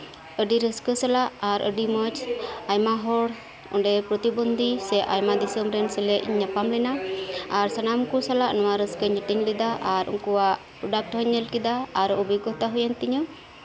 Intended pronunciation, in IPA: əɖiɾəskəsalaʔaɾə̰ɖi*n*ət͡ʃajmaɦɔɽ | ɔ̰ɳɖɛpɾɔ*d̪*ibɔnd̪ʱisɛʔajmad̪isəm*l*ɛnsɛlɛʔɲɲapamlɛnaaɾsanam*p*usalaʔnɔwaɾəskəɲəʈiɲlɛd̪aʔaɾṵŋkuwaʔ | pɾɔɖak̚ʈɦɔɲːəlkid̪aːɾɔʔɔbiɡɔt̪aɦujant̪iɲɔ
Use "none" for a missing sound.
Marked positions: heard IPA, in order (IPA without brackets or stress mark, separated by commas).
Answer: m, t̪, ɾ, k